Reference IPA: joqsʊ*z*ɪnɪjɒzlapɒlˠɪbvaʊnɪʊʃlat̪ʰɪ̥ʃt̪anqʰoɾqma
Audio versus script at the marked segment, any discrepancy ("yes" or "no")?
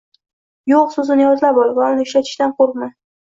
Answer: no